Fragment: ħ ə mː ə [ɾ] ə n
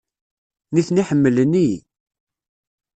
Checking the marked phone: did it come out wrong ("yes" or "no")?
yes